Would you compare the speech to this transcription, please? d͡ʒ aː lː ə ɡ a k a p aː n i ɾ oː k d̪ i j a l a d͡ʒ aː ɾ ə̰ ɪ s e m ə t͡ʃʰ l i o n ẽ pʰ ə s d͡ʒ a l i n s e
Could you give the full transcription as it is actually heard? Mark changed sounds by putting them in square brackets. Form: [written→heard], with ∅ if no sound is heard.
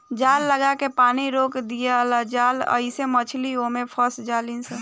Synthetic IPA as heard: d͡ʒ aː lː ə ɡ a k [a→e] p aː n i ɾ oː k d̪ i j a l a d͡ʒ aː [ɾ→l] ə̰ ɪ s e m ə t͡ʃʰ l i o [n→m] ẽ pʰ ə s d͡ʒ a l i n s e

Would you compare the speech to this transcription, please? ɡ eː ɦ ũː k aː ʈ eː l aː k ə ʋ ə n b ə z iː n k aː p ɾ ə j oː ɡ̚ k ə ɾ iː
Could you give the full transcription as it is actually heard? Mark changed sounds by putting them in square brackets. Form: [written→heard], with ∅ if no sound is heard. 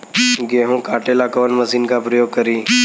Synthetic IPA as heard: ɡ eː ɦ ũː k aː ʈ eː l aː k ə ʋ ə n [b→m] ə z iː n k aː p ɾ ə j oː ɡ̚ k ə ɾ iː

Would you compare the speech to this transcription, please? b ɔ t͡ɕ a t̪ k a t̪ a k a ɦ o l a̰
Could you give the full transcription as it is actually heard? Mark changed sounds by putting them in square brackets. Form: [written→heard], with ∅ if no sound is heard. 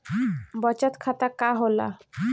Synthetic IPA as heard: b ɔ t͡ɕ a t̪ [k→kʰ] a t̪ a k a ɦ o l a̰

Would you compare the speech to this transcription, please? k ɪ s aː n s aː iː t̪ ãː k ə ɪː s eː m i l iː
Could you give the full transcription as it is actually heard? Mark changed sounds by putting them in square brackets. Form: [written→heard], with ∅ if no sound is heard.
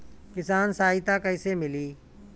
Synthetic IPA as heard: k ɪ s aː n s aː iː t̪ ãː k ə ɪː s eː m [i→ɪ] l iː

